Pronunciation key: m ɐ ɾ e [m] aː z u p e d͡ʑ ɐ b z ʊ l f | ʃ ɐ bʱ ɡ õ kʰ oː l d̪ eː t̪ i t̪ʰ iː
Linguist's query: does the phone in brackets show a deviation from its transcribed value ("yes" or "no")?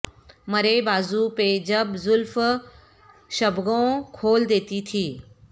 yes